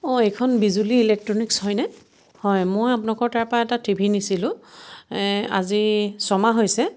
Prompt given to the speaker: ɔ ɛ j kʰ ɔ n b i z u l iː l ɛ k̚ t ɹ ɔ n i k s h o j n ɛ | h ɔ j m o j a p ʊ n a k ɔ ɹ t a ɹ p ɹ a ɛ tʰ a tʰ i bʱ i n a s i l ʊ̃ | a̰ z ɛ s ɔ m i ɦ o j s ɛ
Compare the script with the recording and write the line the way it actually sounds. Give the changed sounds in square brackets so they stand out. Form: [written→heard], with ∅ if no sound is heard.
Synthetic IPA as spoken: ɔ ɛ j kʰ ɔ n b i z u l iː l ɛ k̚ t ɹ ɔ n i k s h [o→ɔ] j n ɛ | h ɔ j m o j a p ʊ n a k ɔ ɹ t a ɹ p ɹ a ɛ [tʰ→t] a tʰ i bʱ i n [a→i] s i l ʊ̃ | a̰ z [ɛ→i] s ɔ m [i→a] ɦ o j s ɛ